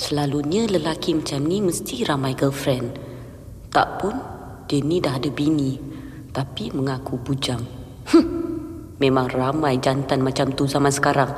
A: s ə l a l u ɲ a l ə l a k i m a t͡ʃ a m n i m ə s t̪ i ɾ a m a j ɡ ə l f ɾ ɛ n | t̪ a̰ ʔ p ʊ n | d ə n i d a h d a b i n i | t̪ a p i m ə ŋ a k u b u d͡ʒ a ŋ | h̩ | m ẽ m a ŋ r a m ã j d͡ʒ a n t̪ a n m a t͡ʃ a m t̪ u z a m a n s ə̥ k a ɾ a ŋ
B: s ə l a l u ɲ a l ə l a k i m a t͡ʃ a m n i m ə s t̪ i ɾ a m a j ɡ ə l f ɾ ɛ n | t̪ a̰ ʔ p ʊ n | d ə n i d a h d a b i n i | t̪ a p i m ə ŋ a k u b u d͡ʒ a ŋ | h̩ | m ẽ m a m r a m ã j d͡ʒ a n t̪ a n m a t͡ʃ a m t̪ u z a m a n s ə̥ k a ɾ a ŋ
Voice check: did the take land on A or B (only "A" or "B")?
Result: A